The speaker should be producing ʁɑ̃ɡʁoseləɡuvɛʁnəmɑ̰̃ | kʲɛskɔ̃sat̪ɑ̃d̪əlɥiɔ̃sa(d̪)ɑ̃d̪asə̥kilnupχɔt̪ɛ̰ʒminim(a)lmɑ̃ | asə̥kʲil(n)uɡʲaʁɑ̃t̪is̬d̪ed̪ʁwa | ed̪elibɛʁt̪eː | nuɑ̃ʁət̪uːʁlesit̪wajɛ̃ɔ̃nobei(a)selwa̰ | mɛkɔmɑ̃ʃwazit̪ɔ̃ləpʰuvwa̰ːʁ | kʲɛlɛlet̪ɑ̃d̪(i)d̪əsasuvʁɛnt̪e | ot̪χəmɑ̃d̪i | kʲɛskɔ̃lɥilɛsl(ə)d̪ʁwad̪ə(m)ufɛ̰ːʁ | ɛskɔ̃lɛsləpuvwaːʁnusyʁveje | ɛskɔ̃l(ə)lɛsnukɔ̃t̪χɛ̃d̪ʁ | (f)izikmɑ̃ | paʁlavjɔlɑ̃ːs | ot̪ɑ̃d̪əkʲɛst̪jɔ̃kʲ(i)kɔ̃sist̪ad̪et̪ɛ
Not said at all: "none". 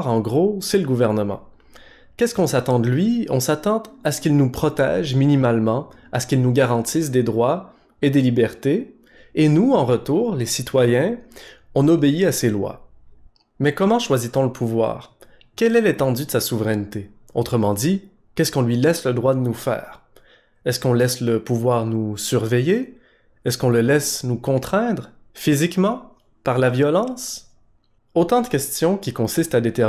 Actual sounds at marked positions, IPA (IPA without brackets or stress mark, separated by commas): t̪, a, n, a, y, ə, n, ə, f, i